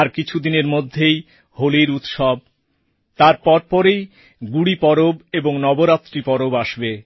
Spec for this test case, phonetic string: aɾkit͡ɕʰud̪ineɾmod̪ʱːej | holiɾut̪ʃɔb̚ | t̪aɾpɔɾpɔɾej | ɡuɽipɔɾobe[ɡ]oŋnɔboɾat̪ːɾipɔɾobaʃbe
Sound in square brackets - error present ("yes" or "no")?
yes